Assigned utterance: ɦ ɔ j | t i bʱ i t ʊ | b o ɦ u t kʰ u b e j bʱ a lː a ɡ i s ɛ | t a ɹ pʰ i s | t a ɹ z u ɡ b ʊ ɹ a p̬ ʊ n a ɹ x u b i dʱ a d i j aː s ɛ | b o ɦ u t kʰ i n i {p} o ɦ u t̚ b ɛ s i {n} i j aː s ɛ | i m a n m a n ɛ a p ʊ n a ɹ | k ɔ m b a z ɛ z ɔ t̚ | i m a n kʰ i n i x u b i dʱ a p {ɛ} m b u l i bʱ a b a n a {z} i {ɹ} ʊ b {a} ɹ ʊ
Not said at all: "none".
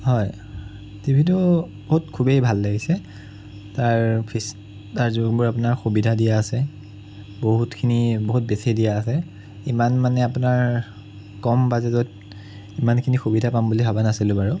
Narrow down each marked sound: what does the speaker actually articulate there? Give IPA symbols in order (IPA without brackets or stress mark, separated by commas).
b, d, a, s, l, a